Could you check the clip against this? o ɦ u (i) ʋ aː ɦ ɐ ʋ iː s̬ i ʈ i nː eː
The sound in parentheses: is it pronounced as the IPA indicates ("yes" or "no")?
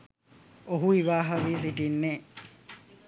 yes